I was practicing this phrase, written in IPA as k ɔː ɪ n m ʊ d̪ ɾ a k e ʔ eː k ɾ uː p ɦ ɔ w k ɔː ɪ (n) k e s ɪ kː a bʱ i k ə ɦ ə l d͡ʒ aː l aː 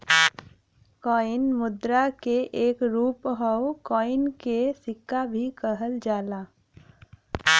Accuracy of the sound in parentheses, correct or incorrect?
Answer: correct